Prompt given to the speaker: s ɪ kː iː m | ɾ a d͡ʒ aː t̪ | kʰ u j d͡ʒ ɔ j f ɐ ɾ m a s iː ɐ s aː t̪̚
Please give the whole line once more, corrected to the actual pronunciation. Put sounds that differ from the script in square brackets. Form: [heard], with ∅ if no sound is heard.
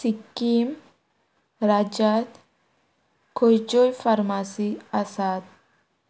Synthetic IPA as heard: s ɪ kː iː m | ɾ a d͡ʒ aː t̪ | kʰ [ɔ] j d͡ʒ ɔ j f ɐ ɾ m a s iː ɐ s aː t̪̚